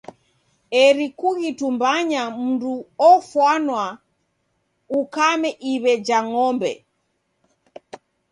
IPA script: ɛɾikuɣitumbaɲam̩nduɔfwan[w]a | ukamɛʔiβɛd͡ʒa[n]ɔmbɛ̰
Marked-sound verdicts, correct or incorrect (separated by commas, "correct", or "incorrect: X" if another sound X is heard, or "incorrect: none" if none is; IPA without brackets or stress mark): correct, incorrect: ŋ